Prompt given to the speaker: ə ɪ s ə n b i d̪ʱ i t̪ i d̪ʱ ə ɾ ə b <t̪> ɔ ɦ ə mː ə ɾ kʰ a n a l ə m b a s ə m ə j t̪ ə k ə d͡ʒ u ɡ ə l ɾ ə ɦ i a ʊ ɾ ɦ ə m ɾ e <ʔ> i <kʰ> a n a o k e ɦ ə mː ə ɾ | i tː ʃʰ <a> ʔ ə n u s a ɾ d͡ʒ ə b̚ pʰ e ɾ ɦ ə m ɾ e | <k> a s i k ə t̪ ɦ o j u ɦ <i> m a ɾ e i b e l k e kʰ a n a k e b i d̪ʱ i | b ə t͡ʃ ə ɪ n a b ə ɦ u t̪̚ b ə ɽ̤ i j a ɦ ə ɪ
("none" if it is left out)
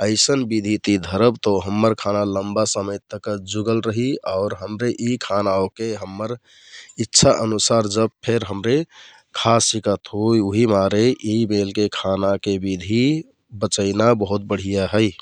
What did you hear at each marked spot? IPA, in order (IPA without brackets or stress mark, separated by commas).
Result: t̪, ʔ, kʰ, a, kʰ, i